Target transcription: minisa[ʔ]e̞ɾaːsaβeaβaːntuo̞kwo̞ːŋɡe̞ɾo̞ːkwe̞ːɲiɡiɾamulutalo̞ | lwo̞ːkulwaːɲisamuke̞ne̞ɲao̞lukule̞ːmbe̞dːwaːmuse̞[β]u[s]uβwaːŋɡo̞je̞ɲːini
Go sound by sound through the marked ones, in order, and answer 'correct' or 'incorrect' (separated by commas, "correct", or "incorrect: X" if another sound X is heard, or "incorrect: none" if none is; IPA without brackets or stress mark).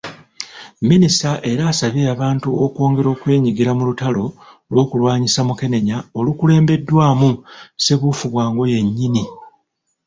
correct, correct, incorrect: f